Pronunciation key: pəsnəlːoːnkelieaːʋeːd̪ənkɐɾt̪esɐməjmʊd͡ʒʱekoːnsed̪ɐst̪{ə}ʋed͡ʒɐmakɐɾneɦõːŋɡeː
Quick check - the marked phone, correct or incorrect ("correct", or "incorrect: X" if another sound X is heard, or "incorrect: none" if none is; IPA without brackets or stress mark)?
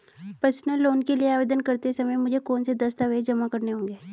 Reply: incorrect: a